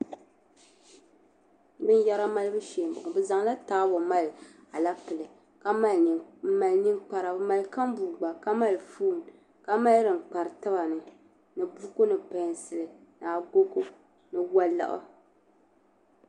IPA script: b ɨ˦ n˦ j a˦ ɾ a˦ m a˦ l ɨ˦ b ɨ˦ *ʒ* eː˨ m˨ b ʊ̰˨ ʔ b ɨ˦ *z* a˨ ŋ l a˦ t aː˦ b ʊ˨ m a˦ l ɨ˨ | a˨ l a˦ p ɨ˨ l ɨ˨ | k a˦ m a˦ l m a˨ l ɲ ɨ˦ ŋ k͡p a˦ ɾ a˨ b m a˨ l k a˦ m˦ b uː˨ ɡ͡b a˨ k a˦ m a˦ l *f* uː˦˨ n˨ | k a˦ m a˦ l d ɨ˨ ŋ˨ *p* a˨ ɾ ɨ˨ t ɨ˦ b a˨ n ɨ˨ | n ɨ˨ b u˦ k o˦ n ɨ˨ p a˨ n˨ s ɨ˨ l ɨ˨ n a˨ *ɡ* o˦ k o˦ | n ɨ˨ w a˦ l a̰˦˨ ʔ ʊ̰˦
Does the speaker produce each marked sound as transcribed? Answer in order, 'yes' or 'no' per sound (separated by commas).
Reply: no, yes, yes, no, yes